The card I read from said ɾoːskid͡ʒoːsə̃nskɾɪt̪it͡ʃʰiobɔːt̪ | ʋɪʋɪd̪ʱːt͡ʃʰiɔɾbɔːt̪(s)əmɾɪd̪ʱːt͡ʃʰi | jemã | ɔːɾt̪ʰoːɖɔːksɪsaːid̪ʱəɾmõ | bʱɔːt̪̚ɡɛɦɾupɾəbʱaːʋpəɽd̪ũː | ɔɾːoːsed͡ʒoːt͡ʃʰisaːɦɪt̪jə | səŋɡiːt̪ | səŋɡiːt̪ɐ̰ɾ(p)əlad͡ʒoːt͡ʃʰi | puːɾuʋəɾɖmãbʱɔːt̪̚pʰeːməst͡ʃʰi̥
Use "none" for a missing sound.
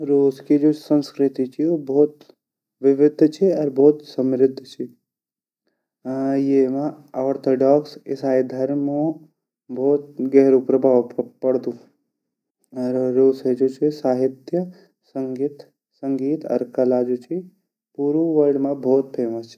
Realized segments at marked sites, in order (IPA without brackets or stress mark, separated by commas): s, k